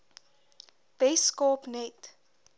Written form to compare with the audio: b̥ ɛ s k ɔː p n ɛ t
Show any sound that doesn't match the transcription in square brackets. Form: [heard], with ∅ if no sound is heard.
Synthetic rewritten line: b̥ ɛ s k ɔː p n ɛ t